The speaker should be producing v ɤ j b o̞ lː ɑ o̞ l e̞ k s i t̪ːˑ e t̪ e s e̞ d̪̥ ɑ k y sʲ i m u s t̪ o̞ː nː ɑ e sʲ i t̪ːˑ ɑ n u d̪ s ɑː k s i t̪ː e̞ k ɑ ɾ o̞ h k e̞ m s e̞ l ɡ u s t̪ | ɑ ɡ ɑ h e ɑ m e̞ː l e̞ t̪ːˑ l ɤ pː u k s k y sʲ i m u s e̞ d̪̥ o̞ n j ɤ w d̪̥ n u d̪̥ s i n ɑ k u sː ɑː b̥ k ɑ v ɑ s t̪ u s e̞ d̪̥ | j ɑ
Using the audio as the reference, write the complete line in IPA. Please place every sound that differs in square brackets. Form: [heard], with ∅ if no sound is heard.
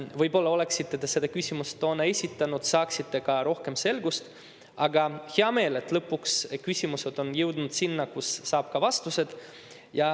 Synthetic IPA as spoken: v ɤ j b o̞ lː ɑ o̞ l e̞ k s i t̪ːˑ e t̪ e s e̞ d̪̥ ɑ k y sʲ i m u s t̪ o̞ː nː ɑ e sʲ i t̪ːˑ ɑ n u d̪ s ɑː k s i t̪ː e̞ k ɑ ɾ o̞ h k e̞ m s e̞ l ɡ u s t̪ | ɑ ɡ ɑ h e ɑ m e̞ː l e̞ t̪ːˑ l ɤ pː u k s k y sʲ i m u s e̞ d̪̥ o̞ n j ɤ w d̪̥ n u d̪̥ s i [nː] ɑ k u sː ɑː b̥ k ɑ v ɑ s t̪ u s e̞ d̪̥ | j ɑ